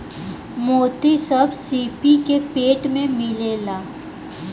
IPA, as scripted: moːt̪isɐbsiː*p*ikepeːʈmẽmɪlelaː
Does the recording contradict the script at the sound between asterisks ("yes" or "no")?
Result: no